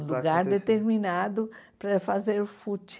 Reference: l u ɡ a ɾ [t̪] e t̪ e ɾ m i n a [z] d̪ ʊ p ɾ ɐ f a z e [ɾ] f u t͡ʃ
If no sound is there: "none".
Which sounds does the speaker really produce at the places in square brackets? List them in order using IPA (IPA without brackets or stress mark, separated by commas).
d̪, none, ɾ